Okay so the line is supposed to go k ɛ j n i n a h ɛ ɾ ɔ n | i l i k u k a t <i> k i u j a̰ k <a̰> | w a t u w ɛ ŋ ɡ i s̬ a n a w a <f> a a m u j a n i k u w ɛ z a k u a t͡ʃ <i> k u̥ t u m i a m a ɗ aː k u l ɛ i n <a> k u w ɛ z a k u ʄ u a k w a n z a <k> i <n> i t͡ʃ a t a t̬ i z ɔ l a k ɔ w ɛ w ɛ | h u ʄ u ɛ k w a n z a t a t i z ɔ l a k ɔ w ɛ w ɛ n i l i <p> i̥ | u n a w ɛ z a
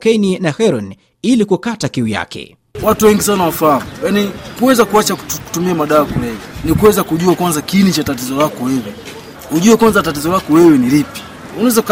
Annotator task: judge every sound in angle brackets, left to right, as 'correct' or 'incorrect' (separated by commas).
incorrect, incorrect, correct, incorrect, incorrect, correct, correct, correct